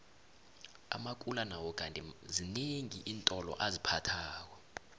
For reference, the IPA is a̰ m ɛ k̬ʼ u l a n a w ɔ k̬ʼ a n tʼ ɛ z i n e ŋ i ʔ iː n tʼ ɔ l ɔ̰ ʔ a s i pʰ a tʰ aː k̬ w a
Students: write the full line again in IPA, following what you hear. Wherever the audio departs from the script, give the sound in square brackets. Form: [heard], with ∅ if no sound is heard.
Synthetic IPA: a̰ m [a] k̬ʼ u l a n a w ɔ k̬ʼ a n tʼ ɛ z i n e ŋ i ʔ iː n tʼ ɔ l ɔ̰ ʔ a [z] i pʰ a tʰ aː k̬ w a

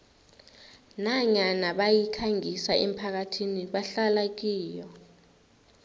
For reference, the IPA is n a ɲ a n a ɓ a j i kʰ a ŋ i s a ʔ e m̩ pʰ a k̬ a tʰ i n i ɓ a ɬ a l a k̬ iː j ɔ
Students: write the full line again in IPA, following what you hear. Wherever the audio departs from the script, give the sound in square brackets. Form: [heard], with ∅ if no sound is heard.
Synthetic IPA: n a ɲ a n a ɓ a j i kʰ a ŋ i s a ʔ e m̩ pʰ a k̬ a tʰ i n i ɓ a ɬ a l a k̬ iː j ɔ

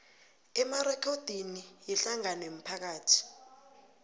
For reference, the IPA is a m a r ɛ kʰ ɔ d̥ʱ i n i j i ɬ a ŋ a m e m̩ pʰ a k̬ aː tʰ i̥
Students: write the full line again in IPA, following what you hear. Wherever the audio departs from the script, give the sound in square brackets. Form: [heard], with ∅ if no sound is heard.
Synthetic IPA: [ɛ] m a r ɛ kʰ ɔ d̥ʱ i n i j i ɬ a ŋ a [n] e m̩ pʰ a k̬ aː tʰ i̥

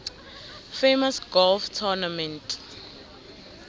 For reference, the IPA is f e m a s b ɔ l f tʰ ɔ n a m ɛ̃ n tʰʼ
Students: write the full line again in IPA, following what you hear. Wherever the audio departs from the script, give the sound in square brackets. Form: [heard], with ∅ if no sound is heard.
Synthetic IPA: f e m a s [ɡ] ɔ l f tʰ ɔ n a m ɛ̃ n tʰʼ

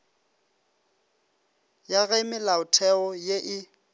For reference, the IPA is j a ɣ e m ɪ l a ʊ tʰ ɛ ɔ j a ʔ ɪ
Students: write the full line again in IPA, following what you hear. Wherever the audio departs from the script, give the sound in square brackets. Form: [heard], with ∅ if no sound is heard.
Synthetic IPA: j a ɣ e m ɪ l a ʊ tʰ ɛ ɔ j [e] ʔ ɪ

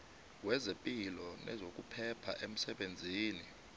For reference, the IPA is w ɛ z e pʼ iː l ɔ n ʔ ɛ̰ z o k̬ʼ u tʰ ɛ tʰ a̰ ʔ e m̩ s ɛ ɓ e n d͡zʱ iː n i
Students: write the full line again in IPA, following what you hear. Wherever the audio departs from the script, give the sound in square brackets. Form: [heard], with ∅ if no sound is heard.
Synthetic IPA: w ɛ z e pʼ [i] l ɔ n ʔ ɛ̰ z o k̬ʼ u [pʰ] ɛ [pʰ] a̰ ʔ e m̩ s ɛ ɓ e n d͡zʱ iː n i

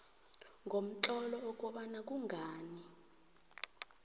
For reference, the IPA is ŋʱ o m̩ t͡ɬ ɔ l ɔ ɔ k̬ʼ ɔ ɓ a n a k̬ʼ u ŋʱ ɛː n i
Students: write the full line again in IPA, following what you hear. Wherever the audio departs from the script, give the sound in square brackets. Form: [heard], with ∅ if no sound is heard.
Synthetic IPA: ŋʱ o m̩ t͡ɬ ɔ l ɔ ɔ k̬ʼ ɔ ɓ a n a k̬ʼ u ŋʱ [aː] n i

